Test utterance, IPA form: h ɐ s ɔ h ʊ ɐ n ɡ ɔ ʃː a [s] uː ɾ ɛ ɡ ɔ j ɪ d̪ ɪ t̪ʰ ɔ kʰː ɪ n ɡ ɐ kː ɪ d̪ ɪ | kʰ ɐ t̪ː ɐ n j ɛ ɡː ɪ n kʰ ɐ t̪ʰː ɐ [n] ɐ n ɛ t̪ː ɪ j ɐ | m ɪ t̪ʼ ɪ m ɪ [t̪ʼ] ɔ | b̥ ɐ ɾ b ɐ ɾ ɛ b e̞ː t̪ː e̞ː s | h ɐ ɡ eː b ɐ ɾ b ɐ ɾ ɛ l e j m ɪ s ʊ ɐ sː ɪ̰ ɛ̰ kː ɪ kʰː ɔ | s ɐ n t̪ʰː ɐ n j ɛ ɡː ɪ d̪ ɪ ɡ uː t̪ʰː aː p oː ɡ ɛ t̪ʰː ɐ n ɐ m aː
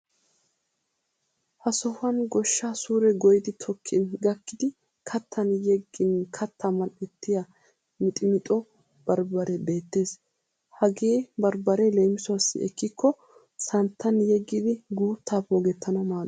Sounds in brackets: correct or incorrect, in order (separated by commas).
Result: correct, incorrect, correct